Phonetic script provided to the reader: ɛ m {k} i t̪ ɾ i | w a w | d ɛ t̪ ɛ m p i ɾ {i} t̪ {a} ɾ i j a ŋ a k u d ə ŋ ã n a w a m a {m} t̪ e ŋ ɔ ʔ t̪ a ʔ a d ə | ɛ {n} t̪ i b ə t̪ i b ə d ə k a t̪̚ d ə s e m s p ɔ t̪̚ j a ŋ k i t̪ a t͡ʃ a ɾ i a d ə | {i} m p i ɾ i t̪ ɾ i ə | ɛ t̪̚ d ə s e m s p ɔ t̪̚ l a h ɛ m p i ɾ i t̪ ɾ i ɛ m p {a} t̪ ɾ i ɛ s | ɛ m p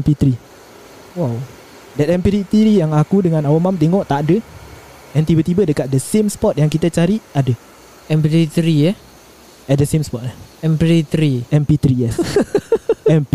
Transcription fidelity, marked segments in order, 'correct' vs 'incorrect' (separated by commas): incorrect, correct, incorrect, correct, correct, incorrect, incorrect